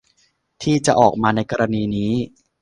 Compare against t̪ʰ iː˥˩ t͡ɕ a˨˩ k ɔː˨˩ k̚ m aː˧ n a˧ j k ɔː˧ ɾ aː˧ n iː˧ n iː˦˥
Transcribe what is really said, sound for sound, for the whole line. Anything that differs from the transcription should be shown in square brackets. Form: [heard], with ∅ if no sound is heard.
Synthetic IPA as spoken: t̪ʰ iː˥˩ t͡ɕ a˨˩ [ʔ] ɔː˨˩ k̚ m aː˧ n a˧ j k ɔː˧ ɾ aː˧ n iː˧ n iː˦˥